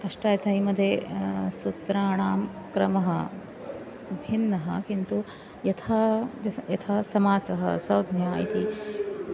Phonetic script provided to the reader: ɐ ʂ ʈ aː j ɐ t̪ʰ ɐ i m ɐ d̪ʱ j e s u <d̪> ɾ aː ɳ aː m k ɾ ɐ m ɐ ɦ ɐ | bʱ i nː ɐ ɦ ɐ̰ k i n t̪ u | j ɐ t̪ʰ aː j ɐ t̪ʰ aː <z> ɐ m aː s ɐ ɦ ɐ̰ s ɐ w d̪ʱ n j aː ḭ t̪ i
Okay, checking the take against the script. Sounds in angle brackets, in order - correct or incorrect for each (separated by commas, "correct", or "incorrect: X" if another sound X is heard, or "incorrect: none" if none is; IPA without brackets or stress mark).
incorrect: t̪, incorrect: s